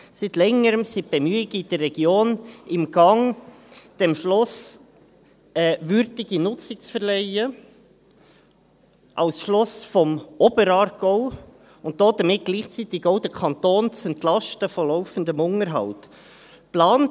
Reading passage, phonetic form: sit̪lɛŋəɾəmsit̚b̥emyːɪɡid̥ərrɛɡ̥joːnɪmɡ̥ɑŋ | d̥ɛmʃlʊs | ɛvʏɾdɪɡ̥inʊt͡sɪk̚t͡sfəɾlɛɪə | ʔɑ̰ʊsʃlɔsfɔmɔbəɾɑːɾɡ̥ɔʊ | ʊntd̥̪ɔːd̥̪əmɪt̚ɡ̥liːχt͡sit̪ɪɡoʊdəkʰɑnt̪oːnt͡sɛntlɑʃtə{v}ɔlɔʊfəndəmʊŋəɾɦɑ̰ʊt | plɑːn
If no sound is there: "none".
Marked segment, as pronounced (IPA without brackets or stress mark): f